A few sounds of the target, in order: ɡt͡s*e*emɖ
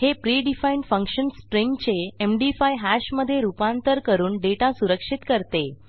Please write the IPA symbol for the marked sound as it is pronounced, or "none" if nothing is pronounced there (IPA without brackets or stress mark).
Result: e